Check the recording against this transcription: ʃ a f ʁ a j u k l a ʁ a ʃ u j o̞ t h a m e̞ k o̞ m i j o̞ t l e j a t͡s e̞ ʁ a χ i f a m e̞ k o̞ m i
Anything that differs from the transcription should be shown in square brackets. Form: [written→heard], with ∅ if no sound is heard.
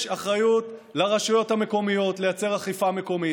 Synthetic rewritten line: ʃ a [f→χ] ʁ a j u [k→t] l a ʁ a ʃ u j o̞ t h a m e̞ k o̞ m i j o̞ t l e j a t͡s e̞ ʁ a χ i f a m e̞ k o̞ m i